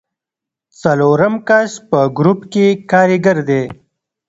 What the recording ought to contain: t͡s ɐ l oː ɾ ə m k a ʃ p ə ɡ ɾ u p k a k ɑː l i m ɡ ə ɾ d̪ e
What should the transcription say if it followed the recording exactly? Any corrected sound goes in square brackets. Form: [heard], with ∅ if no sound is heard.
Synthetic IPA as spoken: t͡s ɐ l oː ɾ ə m k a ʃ p ə ɡ ɾ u p k [e] k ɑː [ɾ] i [∅] ɡ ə ɾ d̪ e